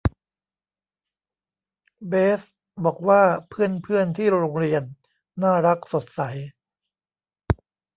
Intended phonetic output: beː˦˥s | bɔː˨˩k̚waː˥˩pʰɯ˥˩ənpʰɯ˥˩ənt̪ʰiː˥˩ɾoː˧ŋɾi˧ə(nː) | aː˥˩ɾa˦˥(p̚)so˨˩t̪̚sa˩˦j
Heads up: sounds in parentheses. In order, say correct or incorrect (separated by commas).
correct, incorrect